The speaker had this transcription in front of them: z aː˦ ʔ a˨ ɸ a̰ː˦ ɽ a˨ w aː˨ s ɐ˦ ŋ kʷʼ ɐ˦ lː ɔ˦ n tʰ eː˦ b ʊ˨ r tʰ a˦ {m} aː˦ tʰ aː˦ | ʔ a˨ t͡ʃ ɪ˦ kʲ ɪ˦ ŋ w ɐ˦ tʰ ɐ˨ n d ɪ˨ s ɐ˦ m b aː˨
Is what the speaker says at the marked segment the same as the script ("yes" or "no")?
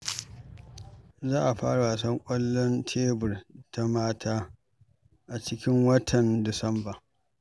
yes